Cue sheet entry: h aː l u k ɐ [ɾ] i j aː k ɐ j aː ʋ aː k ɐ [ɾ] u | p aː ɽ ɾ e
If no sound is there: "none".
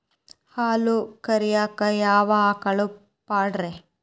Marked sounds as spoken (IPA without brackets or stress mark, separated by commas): ɾ, ɭ